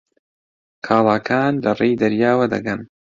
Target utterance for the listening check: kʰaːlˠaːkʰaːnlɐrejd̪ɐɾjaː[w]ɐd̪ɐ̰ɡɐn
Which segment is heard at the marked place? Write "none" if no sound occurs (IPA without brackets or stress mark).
w